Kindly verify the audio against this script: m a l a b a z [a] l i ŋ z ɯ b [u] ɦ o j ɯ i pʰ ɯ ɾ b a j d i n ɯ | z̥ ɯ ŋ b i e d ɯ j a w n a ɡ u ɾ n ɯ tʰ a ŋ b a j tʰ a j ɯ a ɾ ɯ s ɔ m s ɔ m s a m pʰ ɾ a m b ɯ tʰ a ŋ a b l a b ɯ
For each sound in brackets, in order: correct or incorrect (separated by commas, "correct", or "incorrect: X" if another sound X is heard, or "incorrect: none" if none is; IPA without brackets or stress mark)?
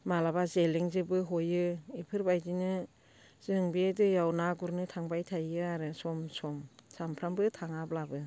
incorrect: e, incorrect: ɯ